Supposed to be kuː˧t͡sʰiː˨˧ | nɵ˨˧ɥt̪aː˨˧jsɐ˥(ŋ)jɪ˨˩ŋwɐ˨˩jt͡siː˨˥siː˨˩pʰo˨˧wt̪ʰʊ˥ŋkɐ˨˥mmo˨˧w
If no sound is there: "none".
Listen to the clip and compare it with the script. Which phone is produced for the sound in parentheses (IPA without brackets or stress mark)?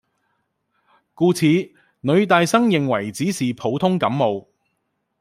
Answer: ŋ